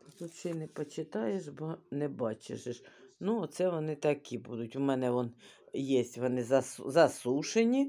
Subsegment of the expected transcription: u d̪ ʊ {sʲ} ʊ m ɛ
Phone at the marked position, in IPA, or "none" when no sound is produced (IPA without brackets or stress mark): tʲ